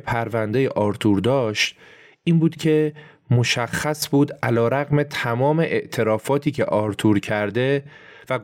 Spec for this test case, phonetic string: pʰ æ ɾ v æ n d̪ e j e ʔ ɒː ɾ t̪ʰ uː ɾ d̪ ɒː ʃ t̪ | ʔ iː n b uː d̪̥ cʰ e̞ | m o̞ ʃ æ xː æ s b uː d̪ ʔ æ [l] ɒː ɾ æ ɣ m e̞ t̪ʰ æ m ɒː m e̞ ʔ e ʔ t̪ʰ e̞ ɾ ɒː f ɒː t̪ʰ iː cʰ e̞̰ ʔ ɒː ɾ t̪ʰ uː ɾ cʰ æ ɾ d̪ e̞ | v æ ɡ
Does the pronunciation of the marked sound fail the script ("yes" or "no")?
no